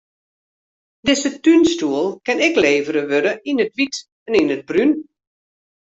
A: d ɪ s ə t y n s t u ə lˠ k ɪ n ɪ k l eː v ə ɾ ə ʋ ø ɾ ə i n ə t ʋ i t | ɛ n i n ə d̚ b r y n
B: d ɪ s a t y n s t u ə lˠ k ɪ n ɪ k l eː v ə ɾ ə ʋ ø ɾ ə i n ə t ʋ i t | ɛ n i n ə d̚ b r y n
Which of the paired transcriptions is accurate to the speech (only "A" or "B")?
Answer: A